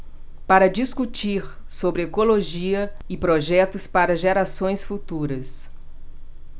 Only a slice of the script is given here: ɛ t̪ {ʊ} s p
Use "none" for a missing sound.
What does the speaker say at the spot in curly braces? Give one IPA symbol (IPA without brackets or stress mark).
ʊ